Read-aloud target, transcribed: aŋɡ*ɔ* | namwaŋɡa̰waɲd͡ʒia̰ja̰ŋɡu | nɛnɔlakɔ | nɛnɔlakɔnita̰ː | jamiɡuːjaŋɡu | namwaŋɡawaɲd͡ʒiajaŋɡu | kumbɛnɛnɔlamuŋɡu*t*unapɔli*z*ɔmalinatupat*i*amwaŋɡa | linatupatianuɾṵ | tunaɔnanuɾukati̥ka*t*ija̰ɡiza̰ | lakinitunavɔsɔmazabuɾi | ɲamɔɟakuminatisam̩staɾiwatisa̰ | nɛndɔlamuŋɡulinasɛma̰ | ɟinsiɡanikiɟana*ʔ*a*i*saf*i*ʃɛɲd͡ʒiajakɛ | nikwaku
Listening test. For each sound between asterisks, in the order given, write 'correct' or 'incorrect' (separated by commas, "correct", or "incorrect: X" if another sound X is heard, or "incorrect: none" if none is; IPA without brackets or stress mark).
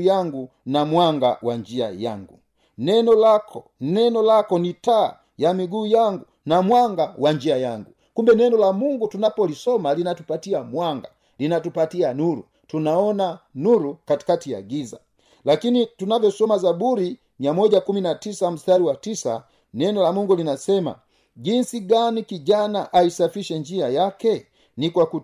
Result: incorrect: u, correct, incorrect: s, correct, correct, correct, correct, correct